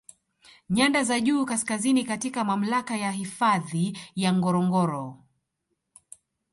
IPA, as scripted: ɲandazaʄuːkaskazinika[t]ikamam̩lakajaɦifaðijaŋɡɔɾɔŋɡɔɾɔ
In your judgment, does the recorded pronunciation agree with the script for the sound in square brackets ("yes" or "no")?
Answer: yes